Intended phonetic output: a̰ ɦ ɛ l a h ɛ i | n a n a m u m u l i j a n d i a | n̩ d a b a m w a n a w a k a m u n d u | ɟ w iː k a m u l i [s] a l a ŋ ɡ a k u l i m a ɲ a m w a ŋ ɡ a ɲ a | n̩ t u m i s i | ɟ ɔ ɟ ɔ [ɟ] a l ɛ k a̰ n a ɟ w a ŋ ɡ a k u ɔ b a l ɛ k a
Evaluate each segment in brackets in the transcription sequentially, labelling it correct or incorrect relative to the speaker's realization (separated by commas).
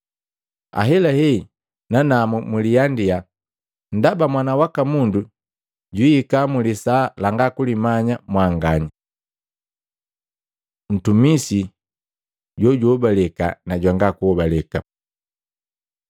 correct, incorrect